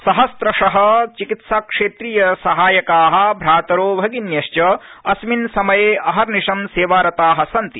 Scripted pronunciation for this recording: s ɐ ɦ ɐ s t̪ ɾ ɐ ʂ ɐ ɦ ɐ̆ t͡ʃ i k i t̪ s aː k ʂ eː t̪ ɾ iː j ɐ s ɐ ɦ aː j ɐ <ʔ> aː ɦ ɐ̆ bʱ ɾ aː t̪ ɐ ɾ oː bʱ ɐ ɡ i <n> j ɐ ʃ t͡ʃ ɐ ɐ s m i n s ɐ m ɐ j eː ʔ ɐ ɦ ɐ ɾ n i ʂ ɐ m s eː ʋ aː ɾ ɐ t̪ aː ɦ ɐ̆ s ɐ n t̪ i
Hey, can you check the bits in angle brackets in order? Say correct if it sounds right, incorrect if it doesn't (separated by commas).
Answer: incorrect, correct